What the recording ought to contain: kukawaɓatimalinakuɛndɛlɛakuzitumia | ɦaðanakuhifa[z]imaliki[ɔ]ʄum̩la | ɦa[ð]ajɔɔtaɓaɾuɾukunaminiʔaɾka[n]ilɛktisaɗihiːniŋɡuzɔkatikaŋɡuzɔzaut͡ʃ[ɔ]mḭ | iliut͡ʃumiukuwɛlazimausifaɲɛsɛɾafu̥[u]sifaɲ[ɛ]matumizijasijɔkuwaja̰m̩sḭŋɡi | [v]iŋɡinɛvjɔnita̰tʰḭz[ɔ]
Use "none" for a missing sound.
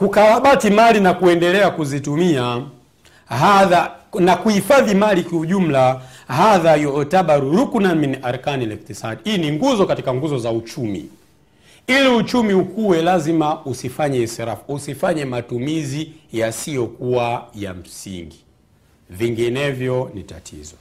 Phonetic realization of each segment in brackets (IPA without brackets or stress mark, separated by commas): ð, u, ð, n, u, u, ɛ, v, ɔ